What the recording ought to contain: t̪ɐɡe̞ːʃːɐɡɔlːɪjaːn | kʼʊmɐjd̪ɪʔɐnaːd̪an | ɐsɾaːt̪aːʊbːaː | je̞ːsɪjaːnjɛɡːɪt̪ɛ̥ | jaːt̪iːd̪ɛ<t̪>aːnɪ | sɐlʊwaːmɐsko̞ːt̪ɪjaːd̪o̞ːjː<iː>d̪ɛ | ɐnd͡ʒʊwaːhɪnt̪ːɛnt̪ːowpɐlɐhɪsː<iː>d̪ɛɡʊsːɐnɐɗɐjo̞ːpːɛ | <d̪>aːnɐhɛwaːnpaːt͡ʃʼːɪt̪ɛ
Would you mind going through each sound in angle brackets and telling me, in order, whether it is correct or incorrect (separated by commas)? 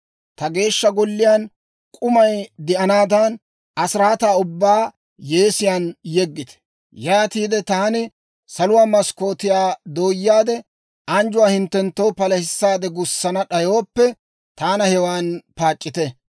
correct, incorrect, incorrect, incorrect